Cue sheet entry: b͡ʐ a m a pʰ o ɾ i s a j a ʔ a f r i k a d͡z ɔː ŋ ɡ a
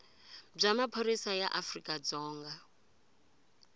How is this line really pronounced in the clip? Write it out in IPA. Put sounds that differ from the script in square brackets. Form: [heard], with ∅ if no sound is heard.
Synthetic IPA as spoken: b͡ʐ a m a pʰ o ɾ i s a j a ʔ a f r i [kʼ] a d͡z ɔː ŋ ɡ a